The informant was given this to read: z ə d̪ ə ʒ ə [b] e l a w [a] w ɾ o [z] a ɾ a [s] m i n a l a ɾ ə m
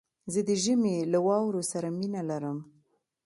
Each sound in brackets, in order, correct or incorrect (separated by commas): incorrect, incorrect, incorrect, incorrect